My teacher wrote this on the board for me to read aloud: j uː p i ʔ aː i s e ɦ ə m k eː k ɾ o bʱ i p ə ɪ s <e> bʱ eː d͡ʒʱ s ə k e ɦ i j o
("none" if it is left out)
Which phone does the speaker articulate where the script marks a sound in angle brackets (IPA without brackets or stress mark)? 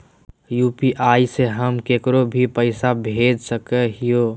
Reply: a